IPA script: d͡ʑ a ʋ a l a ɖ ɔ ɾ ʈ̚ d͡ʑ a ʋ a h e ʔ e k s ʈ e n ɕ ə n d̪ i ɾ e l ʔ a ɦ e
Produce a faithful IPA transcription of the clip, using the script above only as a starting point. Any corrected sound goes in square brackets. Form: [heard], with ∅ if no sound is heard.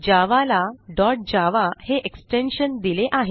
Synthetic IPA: d͡ʑ a ʋ a l a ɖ ɔ ɾ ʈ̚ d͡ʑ a ʋ a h e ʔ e k s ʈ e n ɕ ə n d̪ i [l] e [∅] ʔ a ɦ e

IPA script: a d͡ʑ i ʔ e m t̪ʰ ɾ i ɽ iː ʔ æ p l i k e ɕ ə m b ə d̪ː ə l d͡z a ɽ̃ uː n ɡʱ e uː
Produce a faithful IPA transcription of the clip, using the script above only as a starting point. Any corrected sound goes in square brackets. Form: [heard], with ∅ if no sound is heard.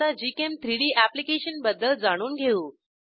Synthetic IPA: a d͡ʑ i [k] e m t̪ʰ ɾ i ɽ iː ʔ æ p l i k e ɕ ə [n] b ə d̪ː ə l d͡z a ɽ̃ uː n ɡʱ e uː

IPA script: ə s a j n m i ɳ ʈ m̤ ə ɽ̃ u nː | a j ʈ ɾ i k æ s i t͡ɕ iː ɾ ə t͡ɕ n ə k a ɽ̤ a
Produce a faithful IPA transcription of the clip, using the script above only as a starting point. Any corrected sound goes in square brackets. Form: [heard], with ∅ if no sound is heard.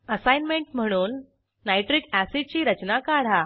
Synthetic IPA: ə s a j n m [e] ɳ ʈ m̤ ə ɽ̃ [uː] nː | a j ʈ ɾ i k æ s i t͡ɕ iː ɾ ə t͡ɕ n [a] k a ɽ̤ a

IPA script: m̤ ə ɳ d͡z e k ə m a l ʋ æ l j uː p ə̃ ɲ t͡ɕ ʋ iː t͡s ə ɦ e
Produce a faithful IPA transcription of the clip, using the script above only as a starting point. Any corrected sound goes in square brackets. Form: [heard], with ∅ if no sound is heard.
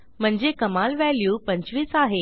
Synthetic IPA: m̤ ə ɳ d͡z e k ə m a l ʋ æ l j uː p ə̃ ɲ t͡ɕ ʋ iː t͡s [a] ɦ e

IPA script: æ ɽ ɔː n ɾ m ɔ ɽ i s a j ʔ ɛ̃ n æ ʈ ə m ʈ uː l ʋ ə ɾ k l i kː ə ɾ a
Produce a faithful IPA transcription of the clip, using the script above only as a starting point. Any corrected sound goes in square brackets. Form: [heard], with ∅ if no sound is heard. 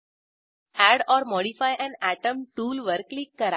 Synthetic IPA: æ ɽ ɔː [∅] ɾ m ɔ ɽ i [f] a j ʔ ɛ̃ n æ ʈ ə m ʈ uː l ʋ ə ɾ k l i kː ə ɾ a

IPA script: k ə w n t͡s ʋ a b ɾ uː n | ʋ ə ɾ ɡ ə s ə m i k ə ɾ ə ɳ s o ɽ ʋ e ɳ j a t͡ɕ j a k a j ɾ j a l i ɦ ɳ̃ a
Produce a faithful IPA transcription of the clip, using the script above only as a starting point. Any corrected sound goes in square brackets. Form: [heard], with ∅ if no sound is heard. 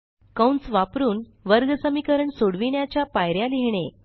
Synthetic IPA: k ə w n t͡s ʋ a [p] ɾ uː n | ʋ ə ɾ ɡ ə s ə m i k ə ɾ ə ɳ s o ɽ ʋ [i] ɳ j a t͡ɕ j a [p] a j ɾ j a l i ɦ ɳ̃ [e]

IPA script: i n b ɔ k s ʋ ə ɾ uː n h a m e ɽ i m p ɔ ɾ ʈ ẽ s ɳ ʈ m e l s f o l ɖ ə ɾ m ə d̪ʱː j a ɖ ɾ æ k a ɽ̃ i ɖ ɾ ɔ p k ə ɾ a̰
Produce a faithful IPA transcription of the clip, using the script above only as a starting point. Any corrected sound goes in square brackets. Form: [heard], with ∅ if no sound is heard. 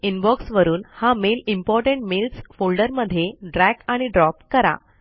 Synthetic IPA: i n b ɔ k s ʋ ə ɾ uː n h a m e [l] i m p ɔ ɾ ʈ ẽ [∅] ɳ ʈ m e l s f o l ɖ ə ɾ m ə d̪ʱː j [e] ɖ ɾ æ k a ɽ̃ i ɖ ɾ ɔ p k ə ɾ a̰

